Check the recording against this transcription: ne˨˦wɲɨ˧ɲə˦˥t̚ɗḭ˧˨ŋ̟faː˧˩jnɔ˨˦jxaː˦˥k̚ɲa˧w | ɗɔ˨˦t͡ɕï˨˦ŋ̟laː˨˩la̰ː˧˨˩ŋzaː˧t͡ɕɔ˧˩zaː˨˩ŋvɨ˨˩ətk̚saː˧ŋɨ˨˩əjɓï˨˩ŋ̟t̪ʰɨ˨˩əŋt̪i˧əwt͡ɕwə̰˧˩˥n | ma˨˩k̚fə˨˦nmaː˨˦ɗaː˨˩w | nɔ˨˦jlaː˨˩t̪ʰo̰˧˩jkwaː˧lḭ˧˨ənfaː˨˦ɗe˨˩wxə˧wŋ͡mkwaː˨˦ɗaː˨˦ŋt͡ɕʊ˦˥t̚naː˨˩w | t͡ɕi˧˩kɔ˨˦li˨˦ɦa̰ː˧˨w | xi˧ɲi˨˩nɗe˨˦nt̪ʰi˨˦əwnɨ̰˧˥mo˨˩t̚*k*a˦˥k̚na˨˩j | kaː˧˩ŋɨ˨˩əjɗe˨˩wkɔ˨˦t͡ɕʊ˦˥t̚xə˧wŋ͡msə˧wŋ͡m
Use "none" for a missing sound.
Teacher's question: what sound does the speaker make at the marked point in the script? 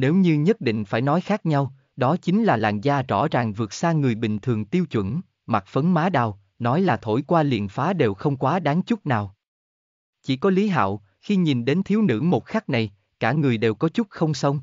x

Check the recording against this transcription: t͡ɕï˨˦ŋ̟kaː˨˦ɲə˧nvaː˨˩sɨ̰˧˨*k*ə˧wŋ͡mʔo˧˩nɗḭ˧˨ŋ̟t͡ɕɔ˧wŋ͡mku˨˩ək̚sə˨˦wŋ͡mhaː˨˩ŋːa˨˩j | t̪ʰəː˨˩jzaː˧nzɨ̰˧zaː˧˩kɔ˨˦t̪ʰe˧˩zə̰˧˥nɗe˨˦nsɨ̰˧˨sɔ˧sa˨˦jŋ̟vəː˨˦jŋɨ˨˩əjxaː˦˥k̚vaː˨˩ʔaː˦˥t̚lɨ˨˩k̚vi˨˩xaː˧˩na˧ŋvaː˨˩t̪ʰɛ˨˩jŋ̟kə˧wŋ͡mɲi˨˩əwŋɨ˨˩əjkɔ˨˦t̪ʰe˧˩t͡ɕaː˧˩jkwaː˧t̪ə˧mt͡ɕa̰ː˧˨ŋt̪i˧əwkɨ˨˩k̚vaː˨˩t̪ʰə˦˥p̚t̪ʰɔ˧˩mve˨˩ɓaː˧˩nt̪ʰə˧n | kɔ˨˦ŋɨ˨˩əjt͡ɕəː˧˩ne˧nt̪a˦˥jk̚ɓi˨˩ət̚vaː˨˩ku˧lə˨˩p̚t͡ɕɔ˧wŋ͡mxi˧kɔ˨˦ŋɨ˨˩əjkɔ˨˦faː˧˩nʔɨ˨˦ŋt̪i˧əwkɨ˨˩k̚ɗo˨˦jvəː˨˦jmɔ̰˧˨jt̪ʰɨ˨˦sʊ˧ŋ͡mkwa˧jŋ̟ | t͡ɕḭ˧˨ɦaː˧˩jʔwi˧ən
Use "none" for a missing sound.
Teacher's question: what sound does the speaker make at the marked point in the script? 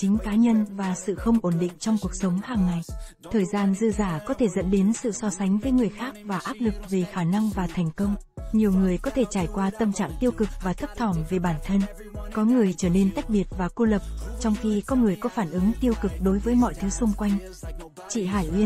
x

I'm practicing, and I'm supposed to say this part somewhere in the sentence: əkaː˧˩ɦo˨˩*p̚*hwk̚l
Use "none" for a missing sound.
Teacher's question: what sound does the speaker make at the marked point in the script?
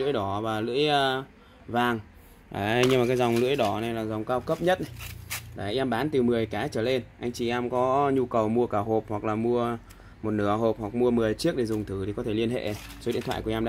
p̚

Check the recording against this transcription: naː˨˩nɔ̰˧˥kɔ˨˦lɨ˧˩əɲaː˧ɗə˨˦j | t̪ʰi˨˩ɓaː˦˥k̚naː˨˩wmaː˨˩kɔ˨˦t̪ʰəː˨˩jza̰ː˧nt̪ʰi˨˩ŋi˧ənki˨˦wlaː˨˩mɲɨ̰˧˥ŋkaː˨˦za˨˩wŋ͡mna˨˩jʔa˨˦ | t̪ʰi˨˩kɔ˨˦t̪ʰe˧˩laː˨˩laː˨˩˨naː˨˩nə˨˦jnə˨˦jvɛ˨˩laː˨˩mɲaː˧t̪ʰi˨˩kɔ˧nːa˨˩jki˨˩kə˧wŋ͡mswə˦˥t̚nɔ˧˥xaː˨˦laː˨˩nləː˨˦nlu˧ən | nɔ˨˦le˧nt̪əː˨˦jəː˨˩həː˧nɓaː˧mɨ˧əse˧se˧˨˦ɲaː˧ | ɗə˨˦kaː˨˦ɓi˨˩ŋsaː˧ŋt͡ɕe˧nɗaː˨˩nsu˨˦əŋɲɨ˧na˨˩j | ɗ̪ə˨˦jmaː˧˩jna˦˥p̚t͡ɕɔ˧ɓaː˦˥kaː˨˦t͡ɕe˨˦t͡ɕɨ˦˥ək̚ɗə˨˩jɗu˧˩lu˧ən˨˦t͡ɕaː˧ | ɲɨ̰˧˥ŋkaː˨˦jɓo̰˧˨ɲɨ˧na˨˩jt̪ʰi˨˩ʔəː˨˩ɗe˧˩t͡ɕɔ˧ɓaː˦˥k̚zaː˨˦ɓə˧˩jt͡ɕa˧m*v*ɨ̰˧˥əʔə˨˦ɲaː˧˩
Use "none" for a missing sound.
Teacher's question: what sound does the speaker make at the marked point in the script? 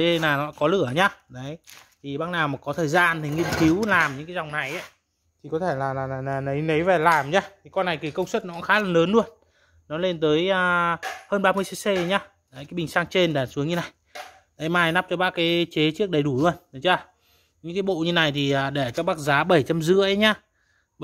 z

